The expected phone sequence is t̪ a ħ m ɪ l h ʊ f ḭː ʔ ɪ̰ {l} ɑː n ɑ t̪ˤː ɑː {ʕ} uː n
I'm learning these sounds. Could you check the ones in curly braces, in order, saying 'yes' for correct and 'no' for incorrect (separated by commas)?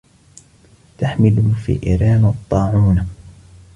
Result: no, yes